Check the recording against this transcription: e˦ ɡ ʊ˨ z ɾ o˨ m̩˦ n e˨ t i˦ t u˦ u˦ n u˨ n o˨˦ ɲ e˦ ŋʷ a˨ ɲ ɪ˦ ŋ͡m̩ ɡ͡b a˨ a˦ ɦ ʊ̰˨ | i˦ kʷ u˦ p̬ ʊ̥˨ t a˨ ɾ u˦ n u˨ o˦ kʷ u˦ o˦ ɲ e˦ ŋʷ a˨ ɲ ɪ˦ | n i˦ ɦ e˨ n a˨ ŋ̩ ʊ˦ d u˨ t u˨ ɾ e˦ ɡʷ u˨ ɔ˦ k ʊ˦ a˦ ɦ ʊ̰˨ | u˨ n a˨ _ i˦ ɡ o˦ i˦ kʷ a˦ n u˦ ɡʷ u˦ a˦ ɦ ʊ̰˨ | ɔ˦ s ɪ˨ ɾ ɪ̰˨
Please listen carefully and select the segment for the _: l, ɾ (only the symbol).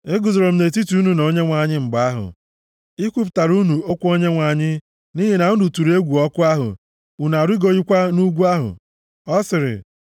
ɾ